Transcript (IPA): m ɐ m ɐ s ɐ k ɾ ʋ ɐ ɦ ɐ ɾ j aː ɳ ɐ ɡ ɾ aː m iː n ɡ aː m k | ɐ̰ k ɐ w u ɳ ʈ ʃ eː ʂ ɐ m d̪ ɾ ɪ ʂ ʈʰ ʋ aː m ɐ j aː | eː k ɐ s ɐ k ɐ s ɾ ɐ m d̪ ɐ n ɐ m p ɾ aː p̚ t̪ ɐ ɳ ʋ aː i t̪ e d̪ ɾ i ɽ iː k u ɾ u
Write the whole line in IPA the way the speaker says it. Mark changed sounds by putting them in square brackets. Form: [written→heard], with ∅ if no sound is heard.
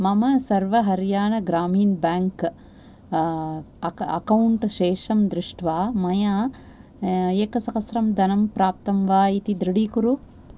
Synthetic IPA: m ɐ m ɐ s ɐ [k→∅] ɾ ʋ ɐ ɦ ɐ ɾ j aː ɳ ɐ ɡ ɾ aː m iː n [ɡ→b] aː [m→ŋ] k | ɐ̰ k ɐ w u ɳ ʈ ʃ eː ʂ ɐ m d̪ ɾ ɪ ʂ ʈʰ ʋ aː m ɐ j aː | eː k ɐ s ɐ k ɐ s ɾ ɐ m d̪ ɐ n ɐ m p ɾ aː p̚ t̪ ɐ [ɳ→m] ʋ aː i t̪ [e→i] d̪ ɾ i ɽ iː k u ɾ u